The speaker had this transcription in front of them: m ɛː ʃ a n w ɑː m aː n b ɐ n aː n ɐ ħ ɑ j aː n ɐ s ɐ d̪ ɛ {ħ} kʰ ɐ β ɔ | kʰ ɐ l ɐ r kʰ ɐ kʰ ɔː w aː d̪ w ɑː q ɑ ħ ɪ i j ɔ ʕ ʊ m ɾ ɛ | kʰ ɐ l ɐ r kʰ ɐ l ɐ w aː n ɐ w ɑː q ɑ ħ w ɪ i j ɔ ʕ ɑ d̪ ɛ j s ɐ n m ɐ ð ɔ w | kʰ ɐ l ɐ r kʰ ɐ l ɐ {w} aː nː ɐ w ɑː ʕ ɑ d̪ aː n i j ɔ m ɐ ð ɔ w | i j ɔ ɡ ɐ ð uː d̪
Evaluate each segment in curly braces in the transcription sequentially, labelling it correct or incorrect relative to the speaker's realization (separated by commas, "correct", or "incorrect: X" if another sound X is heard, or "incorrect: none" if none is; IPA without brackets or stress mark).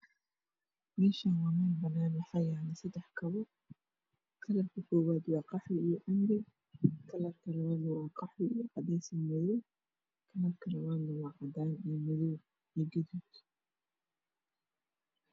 correct, correct